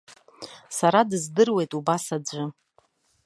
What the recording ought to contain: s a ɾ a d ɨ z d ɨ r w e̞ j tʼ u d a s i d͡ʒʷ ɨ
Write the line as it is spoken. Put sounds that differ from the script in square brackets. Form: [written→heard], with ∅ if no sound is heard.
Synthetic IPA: s a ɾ a d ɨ z d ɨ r w e̞ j tʼ u [d→b] a s [i→a] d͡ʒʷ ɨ

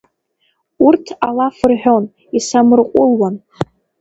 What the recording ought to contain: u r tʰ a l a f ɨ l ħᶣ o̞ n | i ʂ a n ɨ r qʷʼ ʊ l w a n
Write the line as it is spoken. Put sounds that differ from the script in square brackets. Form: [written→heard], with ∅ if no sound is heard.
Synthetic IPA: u r tʰ a l a f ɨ [l→r] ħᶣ o̞ n | i [ʂ→s] a [n→m] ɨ r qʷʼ ʊ l w a n

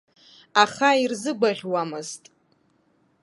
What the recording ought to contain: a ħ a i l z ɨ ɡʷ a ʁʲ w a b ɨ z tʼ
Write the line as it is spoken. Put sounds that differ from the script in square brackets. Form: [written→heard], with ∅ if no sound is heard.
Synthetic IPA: a [ħ→χ] a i [l→r] z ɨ ɡʷ a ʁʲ w a [b→m] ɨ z tʼ

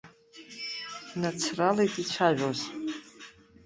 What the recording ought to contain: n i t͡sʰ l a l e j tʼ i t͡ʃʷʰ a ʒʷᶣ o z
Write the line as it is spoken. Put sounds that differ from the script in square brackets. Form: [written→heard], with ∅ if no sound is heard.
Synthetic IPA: n [i→a] t͡sʰ [l→r] a l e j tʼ i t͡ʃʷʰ a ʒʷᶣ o z

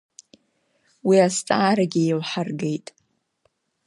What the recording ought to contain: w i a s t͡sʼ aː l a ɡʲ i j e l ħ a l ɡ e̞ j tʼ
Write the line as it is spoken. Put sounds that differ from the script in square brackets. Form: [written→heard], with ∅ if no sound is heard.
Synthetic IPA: w i a s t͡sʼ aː [l→ɾ] a ɡʲ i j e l ħ a [l→r] ɡ e̞ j tʼ

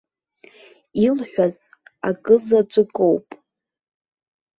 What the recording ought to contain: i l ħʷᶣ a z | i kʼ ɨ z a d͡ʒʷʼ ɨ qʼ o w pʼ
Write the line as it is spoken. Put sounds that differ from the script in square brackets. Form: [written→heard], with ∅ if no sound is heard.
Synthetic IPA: i l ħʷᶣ a z | [i→a] kʼ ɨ z a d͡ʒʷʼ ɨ [qʼ→kʼ] o w pʼ

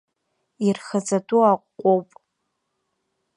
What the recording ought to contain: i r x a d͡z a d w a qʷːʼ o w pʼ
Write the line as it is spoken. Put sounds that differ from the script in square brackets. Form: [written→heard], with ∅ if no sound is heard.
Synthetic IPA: i r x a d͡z a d [w→u] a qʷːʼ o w pʼ

